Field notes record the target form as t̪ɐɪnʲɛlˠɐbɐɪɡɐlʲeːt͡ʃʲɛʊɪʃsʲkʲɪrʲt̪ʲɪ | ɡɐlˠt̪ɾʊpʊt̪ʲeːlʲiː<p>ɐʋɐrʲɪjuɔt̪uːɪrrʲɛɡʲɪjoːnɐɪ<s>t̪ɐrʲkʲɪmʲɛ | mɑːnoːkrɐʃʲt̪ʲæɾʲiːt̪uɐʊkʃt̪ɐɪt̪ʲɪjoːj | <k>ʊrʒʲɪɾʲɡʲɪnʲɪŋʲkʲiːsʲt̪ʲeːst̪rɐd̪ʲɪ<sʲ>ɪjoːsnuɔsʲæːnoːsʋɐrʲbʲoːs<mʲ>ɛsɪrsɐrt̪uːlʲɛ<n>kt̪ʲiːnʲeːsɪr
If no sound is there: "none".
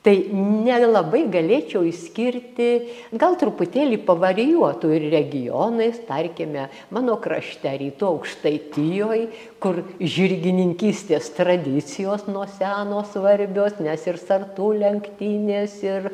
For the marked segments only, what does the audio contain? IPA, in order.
p, s, k, t͡sʲ, nʲ, ŋ

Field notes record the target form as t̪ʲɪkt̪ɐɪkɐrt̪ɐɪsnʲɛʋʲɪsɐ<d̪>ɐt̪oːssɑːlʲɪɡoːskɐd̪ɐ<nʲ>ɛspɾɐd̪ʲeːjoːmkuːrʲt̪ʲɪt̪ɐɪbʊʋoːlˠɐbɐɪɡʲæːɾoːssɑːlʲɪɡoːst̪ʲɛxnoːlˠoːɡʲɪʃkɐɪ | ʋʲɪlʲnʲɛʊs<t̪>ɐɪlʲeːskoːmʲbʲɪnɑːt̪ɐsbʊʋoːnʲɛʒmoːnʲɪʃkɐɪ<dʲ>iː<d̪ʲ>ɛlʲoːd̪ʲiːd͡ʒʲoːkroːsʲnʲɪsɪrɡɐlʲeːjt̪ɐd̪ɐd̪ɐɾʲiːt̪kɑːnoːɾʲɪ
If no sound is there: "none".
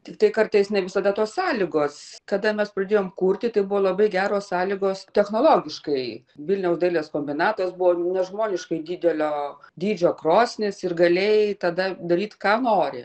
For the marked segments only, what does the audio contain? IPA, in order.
d̪, mʲ, d̪, dʲ, d̪ʲ

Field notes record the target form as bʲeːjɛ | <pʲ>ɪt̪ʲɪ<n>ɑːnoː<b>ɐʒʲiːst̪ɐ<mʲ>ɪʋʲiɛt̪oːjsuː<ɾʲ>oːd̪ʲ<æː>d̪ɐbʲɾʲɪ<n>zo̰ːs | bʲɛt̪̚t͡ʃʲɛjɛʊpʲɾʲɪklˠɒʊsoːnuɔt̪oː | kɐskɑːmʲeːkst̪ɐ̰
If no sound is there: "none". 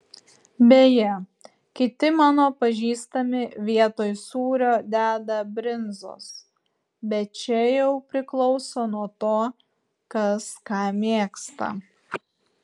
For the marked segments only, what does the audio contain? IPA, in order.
kʲ, m, p, mʲ, ɾʲ, æː, n

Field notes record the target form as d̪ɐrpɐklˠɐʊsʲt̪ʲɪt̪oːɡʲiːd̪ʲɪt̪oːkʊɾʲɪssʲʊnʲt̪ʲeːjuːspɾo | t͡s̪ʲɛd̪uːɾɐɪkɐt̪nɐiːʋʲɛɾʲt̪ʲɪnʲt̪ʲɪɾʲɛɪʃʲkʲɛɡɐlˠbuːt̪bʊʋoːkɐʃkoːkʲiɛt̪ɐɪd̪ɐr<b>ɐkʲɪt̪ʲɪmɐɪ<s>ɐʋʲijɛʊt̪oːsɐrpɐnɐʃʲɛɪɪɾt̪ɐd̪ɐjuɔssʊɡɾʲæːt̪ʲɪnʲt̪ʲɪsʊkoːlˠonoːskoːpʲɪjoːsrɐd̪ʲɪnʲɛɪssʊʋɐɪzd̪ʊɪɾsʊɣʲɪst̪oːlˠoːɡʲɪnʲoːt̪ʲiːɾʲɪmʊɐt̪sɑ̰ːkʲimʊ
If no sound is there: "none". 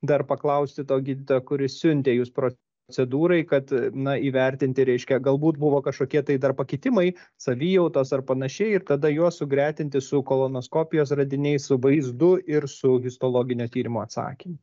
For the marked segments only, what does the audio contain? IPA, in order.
p, s

